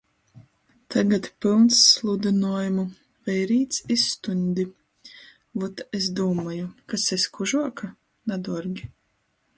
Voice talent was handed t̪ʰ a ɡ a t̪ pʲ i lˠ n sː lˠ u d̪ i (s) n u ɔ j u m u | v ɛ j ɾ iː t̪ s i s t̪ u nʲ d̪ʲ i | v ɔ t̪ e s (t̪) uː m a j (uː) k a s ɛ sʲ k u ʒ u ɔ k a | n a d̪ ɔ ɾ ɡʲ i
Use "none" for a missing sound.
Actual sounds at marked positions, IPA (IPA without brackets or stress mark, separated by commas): none, d̪, u